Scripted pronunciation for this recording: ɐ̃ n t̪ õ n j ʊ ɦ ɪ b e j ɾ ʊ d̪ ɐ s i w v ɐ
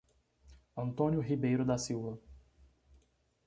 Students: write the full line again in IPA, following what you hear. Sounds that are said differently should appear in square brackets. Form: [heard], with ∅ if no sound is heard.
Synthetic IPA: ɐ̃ n t̪ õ n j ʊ ɦ [i] b e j ɾ ʊ d̪ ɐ s i w v ɐ